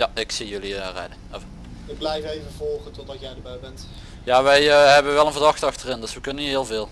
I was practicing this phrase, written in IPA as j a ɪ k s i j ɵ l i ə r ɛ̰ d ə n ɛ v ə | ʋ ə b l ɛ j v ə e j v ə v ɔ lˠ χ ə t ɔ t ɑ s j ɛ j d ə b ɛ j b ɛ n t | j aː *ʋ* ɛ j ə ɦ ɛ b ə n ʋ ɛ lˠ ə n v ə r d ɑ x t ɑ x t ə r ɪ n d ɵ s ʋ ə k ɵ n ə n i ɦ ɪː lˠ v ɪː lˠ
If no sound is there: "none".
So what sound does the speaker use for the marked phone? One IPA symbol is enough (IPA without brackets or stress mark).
ʋ